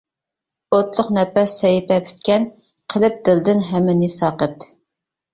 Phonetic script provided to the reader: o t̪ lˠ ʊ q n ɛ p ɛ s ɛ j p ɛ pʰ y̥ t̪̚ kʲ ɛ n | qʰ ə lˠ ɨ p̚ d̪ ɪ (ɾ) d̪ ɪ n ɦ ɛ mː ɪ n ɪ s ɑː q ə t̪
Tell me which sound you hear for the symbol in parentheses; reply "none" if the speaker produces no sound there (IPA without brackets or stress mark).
l